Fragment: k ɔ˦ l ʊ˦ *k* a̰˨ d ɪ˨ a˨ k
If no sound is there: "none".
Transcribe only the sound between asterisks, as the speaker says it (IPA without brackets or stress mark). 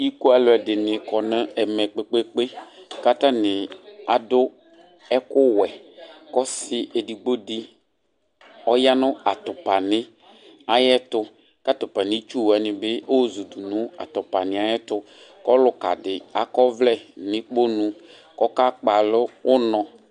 k